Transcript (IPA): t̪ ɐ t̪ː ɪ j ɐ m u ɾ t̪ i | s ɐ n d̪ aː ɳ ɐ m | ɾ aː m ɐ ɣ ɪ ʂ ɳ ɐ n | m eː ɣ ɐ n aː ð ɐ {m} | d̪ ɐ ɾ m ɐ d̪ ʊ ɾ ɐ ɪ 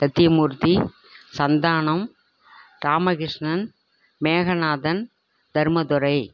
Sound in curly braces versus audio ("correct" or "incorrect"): incorrect